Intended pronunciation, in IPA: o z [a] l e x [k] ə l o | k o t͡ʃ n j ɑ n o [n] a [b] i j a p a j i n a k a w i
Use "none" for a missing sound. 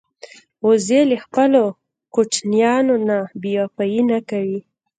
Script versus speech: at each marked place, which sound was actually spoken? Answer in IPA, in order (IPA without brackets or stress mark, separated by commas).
e, p, n, b